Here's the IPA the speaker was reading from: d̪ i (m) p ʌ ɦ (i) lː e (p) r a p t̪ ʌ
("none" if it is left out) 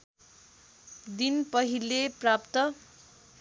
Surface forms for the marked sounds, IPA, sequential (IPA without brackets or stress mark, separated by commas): n, i, p